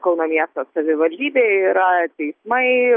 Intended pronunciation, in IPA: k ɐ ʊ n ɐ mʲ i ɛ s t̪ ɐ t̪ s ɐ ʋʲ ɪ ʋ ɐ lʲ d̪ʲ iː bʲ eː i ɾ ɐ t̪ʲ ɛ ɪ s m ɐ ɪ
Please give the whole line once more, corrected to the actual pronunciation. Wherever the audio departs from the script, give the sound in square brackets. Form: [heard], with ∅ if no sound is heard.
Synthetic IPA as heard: k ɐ ʊ n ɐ mʲ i ɛ s t̪ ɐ [∅] s ɐ ʋʲ ɪ ʋ ɐ lʲ d̪ʲ iː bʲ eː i ɾ ɐ t̪ʲ ɛ ɪ s m ɐ ɪ